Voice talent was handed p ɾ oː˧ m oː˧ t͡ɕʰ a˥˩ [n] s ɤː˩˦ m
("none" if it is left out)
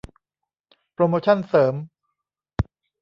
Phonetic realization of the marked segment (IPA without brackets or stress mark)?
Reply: n